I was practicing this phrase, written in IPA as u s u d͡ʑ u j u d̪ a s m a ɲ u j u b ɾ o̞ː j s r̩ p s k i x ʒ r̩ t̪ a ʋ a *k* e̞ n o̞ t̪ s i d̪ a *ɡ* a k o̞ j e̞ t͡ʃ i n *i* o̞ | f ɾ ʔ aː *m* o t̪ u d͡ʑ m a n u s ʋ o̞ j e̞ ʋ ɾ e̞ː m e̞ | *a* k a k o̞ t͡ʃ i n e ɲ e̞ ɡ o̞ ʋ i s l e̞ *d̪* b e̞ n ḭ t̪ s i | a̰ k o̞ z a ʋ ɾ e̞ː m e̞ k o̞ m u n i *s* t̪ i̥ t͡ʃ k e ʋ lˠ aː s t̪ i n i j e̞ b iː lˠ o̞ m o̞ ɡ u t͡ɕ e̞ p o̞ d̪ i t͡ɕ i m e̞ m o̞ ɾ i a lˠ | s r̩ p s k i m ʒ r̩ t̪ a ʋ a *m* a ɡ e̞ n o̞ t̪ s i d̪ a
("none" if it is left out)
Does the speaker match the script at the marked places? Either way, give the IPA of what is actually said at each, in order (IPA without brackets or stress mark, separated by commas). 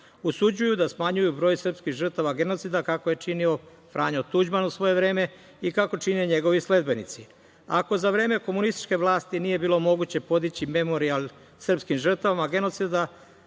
ɡ, k, i, ɲ, i, d̪, s, m